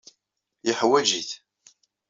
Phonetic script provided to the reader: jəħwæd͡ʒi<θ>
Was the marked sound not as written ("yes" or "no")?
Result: no